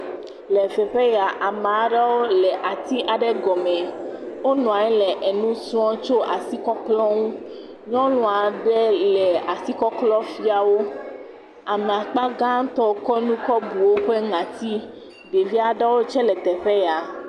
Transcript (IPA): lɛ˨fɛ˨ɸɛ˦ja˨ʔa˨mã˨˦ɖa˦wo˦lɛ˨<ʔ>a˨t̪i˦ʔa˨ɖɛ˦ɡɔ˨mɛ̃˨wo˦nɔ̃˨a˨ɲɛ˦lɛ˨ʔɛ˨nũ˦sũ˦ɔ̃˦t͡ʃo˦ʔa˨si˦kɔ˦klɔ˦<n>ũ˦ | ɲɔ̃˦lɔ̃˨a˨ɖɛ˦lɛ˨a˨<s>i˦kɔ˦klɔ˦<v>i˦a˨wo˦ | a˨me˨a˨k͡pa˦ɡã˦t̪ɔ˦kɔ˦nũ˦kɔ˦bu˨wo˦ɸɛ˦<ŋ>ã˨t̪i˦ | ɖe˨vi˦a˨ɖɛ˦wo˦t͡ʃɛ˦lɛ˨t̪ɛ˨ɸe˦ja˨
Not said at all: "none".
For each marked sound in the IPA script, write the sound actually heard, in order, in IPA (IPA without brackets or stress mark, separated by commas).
ʔ, ŋ, s, f, ŋ